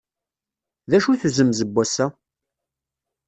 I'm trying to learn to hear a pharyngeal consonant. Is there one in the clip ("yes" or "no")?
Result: no